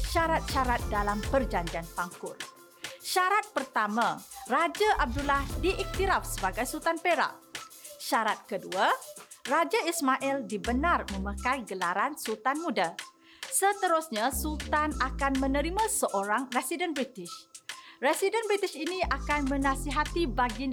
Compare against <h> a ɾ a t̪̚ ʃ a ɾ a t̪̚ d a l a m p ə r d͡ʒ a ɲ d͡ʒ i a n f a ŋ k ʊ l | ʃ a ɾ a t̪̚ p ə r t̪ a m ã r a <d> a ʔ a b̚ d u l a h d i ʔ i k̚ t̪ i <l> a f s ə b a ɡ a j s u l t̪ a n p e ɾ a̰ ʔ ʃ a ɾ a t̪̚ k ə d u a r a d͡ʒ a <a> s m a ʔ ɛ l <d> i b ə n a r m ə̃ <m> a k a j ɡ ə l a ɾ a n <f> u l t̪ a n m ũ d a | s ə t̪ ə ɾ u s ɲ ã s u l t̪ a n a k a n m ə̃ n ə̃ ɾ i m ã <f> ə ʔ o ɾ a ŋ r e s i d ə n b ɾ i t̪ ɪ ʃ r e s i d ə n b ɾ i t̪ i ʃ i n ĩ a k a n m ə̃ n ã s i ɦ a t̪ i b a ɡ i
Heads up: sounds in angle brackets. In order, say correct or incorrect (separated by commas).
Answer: incorrect, incorrect, incorrect, incorrect, correct, correct, incorrect, incorrect